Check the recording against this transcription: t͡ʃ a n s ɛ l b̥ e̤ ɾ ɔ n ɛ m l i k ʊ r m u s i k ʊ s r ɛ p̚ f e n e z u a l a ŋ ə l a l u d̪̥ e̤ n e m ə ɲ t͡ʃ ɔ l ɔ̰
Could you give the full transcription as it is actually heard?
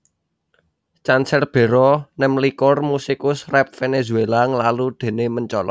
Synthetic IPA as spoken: t͡ʃ a n s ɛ r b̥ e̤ ɾ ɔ n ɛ m l i k ʊ r m u s i k ʊ s r ɛ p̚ f e n e z u e l a ŋ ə l a l u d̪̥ e̤ n e m ə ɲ t͡ʃ ɔ l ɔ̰

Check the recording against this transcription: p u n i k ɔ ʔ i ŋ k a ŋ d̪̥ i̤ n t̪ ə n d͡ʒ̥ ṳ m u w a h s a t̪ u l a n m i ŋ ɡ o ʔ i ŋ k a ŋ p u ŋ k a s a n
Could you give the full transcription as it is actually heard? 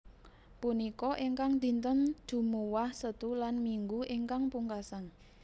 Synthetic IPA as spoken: p u n i k ɔ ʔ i ŋ k a ŋ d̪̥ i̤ n t̪ ə n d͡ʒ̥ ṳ m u w a h s ə t̪ u l a n m i ŋ ɡ u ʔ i ŋ k a ŋ p u ŋ k a s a n

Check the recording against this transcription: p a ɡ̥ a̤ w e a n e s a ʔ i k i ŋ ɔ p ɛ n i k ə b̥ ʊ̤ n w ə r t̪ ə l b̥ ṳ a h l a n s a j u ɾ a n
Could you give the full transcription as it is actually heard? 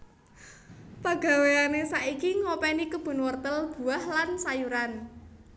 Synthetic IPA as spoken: p a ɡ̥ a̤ w e a n e s a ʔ i k i ŋ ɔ p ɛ n i k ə b̥ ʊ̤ n w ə r t̪ ə l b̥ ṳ a h l a n s a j u ɾ a n

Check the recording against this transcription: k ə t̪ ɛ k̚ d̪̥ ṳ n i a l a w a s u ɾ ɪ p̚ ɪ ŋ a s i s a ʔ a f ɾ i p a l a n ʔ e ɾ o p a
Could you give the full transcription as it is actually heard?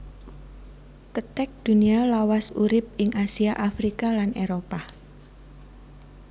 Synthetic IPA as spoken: k ə t̪ ɛ k̚ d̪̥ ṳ n i a l a w a s u ɾ ɪ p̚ ɪ ŋ a s i a ʔ a f ɾ i k a l a n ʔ e ɾ o p a

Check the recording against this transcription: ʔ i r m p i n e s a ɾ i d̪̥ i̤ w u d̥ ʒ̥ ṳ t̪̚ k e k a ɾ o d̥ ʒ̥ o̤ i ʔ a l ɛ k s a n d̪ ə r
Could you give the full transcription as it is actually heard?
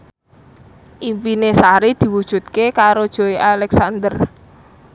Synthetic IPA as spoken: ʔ i m p i n e s a ɾ i d̪̥ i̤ w u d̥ ʒ̥ ṳ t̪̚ k e k a ɾ o d̥ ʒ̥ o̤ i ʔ a l ɛ k s a n d̪ ə r

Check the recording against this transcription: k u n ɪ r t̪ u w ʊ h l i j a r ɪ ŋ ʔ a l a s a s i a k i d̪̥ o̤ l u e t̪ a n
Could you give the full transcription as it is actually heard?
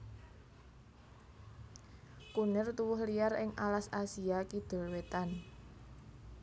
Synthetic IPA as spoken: k u n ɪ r t̪ u w ʊ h l i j a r ɪ ŋ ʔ a l a s a s i a k i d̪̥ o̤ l w e t̪ a n

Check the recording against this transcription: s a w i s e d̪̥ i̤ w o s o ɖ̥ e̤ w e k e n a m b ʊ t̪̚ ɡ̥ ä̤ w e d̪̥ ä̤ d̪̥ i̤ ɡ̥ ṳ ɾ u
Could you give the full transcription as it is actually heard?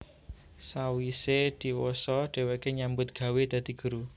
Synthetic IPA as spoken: s a w i s e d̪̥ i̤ w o s ɔ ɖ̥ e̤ w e k e ɲ a m b ʊ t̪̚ ɡ̥ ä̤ w e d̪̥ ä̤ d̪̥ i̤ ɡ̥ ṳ ɾ u

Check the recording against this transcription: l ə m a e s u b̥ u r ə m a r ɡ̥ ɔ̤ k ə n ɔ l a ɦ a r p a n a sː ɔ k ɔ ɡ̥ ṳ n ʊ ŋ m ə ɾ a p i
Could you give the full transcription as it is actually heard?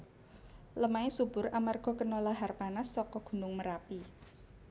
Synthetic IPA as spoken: l ə m a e s u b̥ ʊ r a m a r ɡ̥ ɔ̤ k ə n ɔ l a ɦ a r p a n a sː ɔ k ɔ ɡ̥ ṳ n ʊ ŋ m ə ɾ a p i

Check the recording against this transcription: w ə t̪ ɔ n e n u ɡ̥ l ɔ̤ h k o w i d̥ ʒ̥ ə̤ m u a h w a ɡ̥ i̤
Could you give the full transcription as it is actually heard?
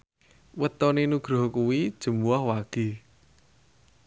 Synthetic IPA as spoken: w ə t̪ ɔ n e n u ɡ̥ ɾ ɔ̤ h k u w i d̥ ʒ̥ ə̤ m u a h w a ɡ̥ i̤

